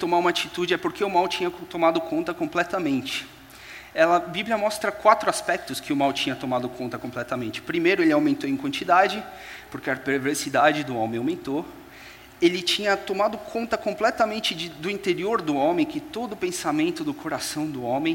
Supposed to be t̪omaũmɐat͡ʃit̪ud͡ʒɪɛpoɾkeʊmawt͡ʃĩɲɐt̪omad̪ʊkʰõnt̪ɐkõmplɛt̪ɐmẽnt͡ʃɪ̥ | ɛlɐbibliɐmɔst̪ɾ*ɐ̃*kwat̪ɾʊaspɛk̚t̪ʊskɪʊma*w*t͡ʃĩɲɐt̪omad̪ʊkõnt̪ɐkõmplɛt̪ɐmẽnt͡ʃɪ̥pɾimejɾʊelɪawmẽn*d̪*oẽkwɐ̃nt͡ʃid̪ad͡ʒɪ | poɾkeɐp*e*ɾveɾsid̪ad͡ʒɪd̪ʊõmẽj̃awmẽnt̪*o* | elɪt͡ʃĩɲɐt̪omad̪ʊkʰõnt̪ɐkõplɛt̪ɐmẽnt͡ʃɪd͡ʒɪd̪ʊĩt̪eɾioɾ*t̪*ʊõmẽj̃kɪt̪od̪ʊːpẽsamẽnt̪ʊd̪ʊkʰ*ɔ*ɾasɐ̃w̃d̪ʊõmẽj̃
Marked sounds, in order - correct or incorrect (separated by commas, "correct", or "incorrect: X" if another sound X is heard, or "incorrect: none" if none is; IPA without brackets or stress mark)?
incorrect: ɐ, correct, incorrect: t̪, correct, correct, incorrect: d̪, incorrect: o